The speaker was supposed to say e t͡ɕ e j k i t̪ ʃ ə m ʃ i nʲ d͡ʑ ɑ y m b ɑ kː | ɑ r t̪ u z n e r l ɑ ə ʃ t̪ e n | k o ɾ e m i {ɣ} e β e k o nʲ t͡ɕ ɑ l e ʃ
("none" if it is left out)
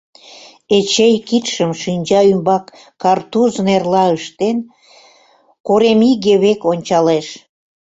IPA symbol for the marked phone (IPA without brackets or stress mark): ɣ